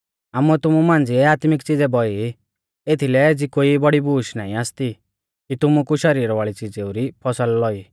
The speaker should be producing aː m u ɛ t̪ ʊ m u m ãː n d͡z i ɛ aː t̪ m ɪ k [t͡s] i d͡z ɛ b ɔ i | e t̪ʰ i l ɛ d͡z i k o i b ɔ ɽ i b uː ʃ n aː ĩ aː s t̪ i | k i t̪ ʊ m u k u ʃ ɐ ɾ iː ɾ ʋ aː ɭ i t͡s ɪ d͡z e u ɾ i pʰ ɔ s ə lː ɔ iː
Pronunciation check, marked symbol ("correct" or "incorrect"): correct